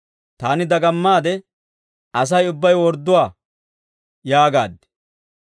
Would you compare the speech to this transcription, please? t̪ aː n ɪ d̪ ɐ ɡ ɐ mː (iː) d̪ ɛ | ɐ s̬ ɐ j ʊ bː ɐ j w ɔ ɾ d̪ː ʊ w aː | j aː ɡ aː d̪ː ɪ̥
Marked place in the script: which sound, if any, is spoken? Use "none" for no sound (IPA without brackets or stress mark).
aː